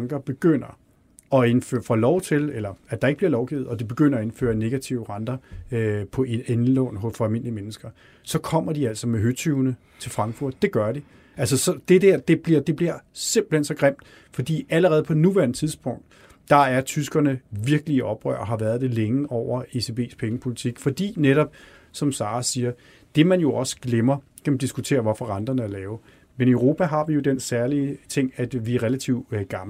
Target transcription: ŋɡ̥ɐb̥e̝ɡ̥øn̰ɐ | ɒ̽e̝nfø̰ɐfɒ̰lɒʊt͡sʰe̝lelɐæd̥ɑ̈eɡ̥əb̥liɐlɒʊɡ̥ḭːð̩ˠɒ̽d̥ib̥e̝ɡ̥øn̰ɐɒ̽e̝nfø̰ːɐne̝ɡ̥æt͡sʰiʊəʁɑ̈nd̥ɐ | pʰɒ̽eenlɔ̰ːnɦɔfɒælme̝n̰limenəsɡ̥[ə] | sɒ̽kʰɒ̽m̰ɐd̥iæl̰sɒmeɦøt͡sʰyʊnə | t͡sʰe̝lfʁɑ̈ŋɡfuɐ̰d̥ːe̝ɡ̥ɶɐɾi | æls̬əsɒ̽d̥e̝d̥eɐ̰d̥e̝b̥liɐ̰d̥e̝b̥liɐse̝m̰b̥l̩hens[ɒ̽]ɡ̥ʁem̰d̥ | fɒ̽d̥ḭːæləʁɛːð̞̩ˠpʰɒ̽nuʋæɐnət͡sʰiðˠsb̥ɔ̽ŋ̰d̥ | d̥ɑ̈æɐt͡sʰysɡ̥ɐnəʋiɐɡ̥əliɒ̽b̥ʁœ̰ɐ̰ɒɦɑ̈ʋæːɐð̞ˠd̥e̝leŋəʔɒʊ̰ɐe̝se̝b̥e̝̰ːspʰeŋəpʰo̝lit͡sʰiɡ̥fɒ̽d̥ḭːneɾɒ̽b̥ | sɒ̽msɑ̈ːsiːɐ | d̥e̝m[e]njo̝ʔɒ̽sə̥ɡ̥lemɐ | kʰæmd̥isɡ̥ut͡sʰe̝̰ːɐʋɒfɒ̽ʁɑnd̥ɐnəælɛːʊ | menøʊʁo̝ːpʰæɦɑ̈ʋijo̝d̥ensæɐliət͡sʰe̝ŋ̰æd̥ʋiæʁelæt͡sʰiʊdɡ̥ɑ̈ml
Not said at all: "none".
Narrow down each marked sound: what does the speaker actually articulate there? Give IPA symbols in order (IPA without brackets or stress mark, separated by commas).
ɐ, ɒ̽, æ